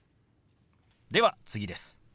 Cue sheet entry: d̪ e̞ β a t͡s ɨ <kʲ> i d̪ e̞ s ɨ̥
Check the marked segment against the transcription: incorrect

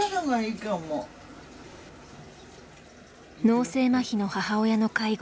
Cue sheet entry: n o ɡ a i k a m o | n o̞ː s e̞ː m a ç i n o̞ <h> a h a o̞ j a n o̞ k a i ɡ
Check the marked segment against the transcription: correct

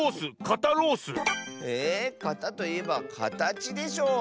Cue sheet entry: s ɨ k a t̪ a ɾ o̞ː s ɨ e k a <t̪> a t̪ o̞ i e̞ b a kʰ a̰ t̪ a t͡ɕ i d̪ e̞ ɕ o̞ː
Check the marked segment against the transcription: correct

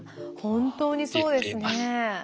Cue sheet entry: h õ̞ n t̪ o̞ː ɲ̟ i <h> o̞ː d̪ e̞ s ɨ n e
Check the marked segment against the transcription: incorrect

